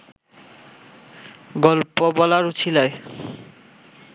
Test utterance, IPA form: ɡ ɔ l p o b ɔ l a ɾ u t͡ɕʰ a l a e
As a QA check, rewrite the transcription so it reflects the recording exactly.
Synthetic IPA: ɡ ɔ l p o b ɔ l a ɾ u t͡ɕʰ i l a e